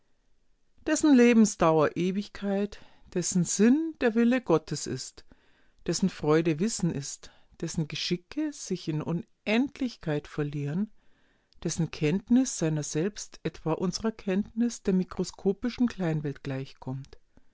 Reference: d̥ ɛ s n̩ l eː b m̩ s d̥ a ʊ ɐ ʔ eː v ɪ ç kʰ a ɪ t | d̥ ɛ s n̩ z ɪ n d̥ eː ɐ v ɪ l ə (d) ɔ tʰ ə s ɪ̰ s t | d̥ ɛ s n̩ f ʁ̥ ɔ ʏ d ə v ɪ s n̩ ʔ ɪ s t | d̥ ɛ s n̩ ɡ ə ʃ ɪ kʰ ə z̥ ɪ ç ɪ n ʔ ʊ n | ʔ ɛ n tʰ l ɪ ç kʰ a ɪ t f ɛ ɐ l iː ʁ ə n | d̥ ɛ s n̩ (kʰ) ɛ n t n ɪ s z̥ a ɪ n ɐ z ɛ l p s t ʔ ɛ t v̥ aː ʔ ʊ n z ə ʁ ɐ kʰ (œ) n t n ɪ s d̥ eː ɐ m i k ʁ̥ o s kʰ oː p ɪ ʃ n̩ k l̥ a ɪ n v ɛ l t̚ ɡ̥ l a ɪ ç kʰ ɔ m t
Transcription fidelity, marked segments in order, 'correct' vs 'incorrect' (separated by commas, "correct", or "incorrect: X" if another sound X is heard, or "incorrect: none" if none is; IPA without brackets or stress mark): incorrect: ɡ, correct, incorrect: ɛ